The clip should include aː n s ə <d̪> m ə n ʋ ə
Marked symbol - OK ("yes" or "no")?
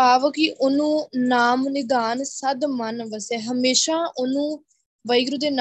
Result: yes